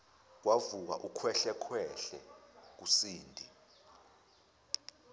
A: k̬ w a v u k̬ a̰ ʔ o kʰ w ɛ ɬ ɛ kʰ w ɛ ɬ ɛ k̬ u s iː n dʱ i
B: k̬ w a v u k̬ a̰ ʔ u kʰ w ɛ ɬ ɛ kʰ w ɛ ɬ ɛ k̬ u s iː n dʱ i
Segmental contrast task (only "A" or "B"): B